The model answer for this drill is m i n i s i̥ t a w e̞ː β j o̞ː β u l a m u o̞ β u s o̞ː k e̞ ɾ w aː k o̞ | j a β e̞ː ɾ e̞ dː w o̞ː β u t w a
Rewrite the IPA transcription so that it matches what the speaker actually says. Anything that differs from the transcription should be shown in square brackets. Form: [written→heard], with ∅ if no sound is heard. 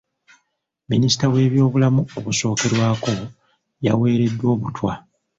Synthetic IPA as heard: m i n i s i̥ t a w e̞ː β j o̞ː β u l a m u o̞ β u s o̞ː k e̞ ɾ w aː k o̞ | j a [β→w] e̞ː ɾ e̞ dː w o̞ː β u t w a